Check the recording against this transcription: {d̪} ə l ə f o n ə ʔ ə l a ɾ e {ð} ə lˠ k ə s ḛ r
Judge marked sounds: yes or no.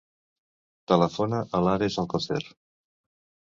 no, no

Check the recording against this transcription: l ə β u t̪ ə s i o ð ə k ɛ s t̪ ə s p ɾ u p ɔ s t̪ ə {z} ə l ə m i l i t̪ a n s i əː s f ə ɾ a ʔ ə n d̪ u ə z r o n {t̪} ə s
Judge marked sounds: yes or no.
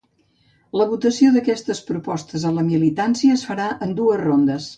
yes, no

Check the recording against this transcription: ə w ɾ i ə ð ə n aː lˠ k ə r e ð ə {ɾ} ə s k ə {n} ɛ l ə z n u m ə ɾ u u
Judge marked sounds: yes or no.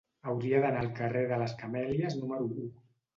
no, no

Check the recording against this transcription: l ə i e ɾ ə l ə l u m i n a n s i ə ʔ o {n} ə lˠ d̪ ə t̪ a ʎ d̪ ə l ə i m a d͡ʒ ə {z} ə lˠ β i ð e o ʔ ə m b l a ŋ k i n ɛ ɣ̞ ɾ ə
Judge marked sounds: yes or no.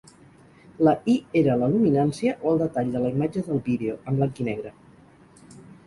no, no

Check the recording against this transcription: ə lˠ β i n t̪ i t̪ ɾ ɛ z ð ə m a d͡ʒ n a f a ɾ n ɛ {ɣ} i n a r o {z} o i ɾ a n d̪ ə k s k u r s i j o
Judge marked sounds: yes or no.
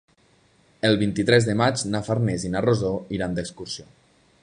no, yes

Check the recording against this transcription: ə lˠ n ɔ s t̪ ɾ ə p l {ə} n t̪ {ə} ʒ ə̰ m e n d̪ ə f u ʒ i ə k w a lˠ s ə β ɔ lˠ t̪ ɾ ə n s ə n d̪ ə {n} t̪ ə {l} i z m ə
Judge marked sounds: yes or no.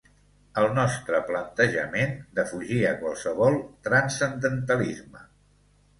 yes, yes, yes, yes

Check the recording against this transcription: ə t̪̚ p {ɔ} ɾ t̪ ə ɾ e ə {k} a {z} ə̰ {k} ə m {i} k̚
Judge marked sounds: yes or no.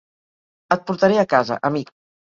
no, yes, yes, no, yes

